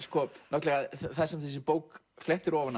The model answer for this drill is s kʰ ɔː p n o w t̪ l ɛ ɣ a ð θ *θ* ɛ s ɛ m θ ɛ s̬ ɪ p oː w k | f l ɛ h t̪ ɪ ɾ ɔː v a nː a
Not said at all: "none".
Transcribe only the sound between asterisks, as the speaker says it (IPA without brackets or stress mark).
θ